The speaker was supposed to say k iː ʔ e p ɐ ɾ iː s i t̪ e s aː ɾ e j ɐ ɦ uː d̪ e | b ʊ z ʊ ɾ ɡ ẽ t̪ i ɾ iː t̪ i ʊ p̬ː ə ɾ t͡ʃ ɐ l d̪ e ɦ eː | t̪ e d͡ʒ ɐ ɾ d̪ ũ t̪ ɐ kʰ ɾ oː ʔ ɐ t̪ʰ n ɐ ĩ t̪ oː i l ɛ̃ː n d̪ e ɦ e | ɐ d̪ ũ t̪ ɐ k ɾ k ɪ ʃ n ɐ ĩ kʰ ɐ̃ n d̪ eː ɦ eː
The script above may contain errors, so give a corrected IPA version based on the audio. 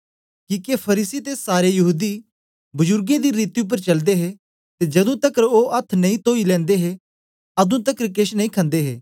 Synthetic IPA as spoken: k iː k e pʰ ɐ ɾ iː s i t̪ e s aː ɾ e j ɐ ɦ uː d̪ i | b ʊ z ʊ ɾ ɡ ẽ d̪ i ɾ iː t̪ i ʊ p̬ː ə ɾ t͡ʃ ɐ l d̪ e ɦ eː | t̪ e d͡ʒ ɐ d̪ ũ t̪ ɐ k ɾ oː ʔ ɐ t̪ʰ n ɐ ĩ t̪ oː i l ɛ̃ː n d̪ e ɦ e | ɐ d̪ ũ t̪ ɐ k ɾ k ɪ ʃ n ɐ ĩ kʰ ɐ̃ n d̪ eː ɦ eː